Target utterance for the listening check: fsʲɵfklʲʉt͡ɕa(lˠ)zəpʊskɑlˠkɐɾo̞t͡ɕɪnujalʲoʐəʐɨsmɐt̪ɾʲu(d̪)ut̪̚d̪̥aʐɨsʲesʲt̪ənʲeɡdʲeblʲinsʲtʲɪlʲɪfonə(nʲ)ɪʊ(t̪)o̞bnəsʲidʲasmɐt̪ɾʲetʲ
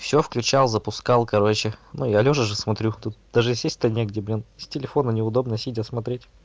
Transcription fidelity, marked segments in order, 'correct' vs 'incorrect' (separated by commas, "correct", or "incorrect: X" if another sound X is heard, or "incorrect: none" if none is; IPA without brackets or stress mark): correct, incorrect: t̪, correct, incorrect: d̪